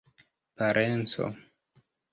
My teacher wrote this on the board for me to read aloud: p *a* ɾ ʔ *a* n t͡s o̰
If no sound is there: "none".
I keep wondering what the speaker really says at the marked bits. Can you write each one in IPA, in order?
a, e

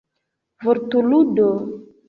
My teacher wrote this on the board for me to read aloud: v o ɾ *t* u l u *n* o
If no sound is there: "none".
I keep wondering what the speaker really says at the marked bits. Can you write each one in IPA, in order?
t, d

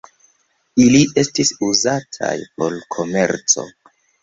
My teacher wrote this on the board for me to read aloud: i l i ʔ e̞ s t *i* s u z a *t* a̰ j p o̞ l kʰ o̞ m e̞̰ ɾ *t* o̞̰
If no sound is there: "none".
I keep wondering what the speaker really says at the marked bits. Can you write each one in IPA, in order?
i, tʰ, t͡s

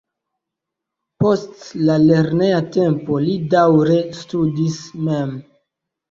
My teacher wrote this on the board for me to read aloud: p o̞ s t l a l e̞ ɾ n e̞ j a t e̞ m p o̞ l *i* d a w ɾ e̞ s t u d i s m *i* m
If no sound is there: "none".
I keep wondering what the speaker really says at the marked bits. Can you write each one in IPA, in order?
i, e

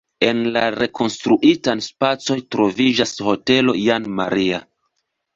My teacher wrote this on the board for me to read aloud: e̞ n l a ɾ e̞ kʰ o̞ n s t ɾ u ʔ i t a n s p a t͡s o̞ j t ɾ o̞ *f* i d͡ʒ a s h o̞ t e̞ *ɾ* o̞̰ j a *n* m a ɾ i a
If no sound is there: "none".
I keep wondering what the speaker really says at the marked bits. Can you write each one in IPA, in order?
v, l, n

